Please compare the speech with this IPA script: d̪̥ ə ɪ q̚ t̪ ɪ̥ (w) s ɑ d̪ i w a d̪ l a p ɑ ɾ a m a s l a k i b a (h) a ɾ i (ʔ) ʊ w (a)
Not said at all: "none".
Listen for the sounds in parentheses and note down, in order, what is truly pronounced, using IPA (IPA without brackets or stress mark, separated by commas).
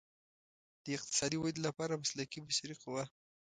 none, ʃ, q, a